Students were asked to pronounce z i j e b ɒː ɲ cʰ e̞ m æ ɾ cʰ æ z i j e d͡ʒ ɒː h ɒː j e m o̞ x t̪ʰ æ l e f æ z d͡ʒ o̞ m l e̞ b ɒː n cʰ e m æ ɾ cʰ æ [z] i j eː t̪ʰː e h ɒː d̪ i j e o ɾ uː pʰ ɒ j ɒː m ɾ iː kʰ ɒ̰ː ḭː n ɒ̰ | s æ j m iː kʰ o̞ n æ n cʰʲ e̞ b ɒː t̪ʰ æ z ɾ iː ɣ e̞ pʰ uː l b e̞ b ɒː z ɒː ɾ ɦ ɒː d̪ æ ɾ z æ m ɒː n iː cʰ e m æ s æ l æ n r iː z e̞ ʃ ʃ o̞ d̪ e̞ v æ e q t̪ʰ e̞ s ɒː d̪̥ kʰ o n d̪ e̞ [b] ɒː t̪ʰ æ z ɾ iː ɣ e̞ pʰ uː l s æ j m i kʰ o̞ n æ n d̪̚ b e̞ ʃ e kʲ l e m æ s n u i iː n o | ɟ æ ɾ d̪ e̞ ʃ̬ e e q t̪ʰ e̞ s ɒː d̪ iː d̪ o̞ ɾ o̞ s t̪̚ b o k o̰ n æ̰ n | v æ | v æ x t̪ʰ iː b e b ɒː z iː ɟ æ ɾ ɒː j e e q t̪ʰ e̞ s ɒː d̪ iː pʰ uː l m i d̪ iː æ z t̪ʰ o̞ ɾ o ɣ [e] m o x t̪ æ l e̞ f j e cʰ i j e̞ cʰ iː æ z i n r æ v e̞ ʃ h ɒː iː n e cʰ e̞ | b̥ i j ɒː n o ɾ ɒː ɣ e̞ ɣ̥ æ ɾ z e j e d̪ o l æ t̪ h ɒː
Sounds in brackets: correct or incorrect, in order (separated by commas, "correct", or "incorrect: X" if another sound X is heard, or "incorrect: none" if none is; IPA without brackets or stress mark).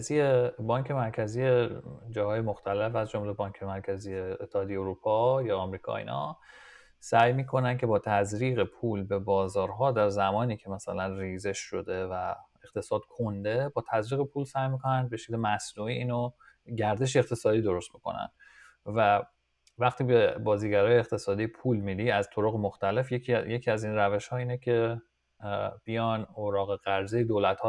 correct, correct, correct